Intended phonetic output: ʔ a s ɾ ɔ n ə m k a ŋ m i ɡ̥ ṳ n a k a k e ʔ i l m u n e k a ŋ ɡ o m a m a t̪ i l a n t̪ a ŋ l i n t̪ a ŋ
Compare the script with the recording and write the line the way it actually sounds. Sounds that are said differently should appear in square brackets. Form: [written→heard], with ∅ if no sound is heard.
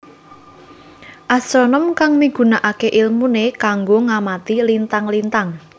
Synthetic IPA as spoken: ʔ a s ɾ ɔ n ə m k a ŋ m i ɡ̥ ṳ n a [k→ʔ] a k e ʔ i l m u n e k a ŋ ɡ o [m→ŋ] a m a t̪ i l [a→i] n t̪ a ŋ l i n t̪ a ŋ